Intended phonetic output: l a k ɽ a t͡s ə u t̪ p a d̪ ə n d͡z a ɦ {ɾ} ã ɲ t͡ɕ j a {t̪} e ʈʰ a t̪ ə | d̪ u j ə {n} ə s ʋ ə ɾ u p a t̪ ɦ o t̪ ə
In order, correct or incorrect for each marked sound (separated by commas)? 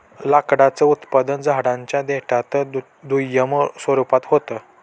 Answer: incorrect, incorrect, incorrect